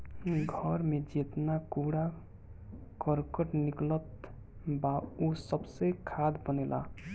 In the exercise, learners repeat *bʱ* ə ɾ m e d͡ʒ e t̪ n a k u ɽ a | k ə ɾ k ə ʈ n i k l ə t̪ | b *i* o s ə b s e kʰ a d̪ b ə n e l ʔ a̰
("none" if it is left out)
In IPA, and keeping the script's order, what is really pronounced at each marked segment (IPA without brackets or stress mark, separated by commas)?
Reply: ɡʱ, a